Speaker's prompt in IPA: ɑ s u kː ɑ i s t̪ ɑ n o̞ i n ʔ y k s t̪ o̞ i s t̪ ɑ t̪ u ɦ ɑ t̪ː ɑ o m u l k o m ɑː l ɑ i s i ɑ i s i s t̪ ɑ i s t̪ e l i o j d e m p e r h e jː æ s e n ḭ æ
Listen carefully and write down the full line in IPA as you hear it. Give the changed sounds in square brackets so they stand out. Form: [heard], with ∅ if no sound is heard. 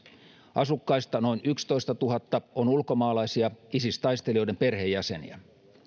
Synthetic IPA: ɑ s u kː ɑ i s t̪ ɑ n o̞ i n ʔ y k s t̪ o̞ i s t̪ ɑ t̪ u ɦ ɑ t̪ː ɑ o [n] u l k o m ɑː l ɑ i s i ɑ i s i s t̪ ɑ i s t̪ e l i o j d e m p e r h e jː æ s e n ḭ æ